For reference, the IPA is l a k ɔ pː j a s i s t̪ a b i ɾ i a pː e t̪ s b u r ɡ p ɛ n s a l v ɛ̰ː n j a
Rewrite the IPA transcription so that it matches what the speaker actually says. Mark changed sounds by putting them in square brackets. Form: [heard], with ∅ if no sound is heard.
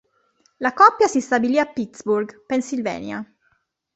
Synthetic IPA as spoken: l a k ɔ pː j a s i s t̪ a b i [l] i a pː [i] t̪ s b u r ɡ p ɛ n s [i] l v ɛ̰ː n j a